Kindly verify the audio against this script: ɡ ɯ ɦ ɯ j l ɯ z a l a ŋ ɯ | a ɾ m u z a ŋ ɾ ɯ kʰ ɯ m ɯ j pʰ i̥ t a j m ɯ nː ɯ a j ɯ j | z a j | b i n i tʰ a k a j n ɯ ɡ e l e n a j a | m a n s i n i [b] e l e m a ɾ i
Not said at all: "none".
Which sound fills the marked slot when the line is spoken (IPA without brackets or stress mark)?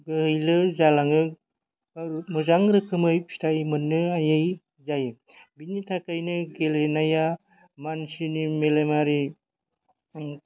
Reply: m